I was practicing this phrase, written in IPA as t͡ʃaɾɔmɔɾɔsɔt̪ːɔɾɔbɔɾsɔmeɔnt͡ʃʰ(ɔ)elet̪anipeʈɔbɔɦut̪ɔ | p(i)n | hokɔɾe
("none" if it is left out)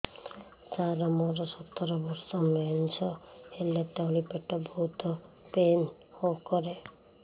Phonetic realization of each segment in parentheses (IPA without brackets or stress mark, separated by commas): ɔ, e